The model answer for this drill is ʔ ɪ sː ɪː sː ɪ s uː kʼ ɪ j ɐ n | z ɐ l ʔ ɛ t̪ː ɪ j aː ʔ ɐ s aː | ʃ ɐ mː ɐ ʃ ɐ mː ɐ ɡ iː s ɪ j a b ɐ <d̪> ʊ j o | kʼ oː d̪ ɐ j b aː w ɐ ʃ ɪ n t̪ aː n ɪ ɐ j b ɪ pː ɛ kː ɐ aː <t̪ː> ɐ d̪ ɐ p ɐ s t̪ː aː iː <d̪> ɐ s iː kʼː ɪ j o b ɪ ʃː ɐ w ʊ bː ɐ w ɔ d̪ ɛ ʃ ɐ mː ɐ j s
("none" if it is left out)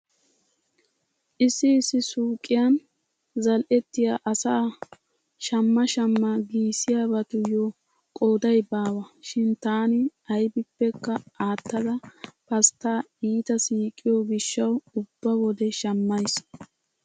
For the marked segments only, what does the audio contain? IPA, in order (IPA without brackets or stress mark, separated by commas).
t̪, t̪ː, t̪